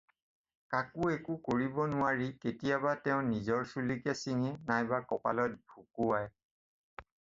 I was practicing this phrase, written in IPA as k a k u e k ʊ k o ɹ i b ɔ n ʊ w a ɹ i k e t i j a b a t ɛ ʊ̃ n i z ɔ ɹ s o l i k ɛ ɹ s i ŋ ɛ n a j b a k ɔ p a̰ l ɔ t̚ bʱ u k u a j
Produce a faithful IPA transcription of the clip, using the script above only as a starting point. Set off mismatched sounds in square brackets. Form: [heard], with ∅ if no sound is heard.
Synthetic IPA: k a k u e k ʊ k o ɹ i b ɔ n ʊ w a ɹ i k e t i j a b a t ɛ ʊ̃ n i z ɔ ɹ s [u] l i k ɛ [∅] s i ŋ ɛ n a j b a k ɔ p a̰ l ɔ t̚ bʱ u k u a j